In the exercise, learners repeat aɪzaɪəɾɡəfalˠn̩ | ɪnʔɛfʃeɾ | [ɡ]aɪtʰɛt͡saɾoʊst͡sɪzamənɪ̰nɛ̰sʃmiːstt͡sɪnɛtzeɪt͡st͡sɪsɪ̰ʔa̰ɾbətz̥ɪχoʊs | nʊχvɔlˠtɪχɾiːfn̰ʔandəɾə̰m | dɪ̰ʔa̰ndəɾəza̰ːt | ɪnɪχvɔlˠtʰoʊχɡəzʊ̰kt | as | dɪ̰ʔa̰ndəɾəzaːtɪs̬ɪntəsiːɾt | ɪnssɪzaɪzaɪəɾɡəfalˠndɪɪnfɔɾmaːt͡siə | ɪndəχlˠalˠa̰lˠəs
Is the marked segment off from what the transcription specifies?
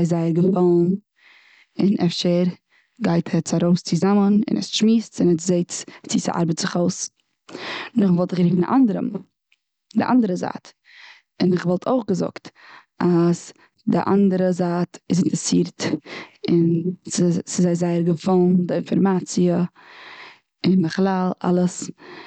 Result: no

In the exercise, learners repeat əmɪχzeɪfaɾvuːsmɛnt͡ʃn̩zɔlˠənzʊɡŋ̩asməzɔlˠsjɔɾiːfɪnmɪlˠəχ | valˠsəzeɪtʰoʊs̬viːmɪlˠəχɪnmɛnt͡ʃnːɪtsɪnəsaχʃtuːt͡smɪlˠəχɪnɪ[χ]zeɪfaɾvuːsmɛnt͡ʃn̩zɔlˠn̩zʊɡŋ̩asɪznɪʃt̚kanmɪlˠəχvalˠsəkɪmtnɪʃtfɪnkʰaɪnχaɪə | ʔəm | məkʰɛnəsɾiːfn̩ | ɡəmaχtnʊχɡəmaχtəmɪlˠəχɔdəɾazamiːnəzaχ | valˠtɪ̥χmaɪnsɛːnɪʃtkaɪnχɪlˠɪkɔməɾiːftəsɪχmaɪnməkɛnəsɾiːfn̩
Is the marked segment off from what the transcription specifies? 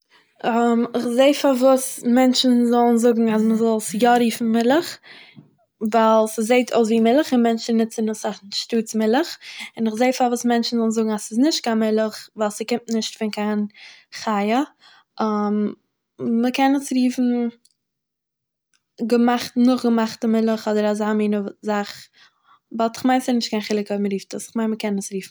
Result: no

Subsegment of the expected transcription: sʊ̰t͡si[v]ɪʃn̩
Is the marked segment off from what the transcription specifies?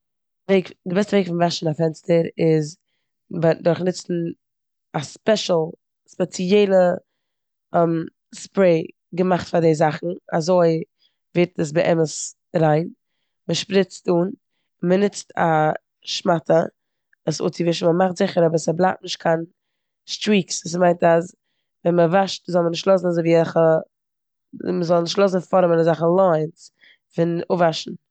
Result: no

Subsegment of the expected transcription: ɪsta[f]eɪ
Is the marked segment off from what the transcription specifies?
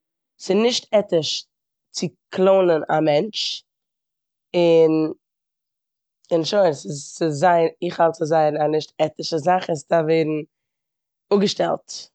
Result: yes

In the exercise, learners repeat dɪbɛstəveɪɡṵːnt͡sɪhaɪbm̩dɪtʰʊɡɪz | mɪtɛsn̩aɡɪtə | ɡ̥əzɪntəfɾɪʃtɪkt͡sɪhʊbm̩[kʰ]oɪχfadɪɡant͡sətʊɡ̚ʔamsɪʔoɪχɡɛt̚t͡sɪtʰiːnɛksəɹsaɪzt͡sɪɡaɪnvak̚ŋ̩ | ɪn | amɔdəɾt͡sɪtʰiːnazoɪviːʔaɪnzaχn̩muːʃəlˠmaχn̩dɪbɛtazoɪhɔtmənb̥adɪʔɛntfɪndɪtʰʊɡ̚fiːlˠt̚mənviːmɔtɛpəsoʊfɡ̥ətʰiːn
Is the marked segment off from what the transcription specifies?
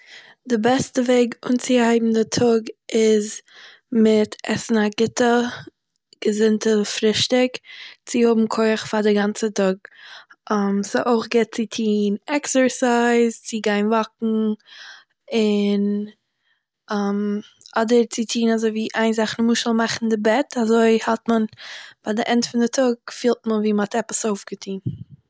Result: no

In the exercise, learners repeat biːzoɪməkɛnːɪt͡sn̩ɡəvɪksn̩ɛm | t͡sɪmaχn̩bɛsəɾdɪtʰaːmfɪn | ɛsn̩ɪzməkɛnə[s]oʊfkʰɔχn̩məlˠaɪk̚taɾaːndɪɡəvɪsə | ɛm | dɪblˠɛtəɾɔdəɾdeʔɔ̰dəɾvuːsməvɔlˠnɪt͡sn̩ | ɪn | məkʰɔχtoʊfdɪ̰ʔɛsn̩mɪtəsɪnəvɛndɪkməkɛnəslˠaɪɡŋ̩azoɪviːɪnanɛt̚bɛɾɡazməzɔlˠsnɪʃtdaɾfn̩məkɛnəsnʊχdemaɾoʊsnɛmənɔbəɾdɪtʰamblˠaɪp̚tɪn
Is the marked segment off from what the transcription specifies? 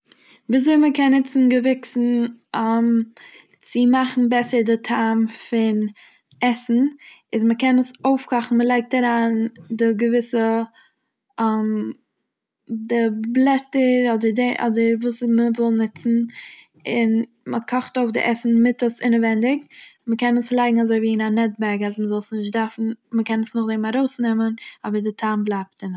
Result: no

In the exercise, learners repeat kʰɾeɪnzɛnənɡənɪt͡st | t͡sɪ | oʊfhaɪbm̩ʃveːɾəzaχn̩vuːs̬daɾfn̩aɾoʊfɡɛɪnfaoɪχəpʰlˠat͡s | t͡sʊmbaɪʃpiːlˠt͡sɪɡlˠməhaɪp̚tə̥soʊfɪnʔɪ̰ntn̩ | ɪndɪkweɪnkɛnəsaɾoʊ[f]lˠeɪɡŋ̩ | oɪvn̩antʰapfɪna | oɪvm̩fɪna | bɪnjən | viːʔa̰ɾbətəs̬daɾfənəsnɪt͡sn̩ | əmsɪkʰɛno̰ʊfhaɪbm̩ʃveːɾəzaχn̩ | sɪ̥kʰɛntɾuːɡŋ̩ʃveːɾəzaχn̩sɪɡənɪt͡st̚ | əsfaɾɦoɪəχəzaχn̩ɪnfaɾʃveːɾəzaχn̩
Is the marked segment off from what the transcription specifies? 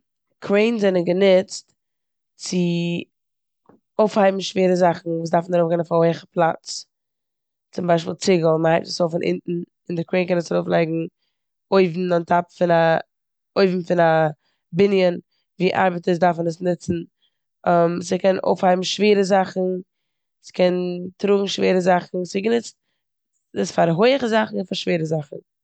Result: no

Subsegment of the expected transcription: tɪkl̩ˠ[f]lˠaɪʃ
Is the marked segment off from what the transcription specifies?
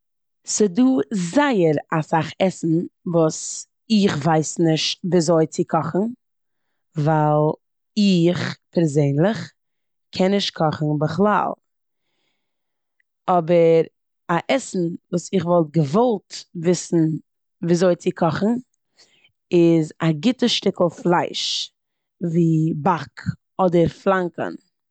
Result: no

